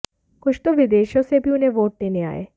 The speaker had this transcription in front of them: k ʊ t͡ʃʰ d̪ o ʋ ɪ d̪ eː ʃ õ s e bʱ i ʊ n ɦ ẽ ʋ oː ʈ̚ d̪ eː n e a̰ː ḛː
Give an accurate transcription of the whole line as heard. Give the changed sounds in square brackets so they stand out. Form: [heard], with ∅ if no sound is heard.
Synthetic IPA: k ʊ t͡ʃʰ [t̪] o ʋ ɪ d̪ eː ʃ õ s e bʱ i ʊ n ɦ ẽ ʋ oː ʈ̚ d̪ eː n e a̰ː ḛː